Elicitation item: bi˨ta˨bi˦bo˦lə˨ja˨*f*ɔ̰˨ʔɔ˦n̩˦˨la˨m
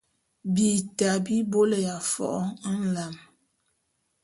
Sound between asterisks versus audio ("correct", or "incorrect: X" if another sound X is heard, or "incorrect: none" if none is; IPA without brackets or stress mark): correct